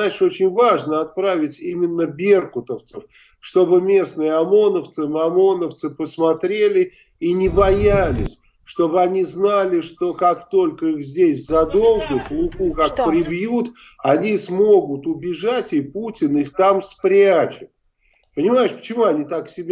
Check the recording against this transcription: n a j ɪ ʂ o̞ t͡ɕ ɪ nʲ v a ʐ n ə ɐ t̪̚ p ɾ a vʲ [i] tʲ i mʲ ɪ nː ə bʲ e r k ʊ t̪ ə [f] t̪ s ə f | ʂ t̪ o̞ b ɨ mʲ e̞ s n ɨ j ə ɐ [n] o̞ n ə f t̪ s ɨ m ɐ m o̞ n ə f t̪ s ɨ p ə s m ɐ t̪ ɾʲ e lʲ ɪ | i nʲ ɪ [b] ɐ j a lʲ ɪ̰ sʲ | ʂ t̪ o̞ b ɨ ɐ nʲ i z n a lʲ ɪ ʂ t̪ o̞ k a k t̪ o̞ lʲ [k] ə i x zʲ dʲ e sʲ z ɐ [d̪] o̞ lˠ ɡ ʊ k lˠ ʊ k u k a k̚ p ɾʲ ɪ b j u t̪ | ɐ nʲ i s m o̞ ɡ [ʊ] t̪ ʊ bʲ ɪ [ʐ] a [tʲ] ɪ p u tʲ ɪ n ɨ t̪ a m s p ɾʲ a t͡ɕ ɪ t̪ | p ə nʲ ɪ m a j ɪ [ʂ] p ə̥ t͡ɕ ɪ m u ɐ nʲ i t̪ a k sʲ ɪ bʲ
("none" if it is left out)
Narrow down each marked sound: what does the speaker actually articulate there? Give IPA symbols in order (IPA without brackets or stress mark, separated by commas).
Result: ɪ, f, m, b, k, d̪, ʊ, ʐ, tʲ, ʂ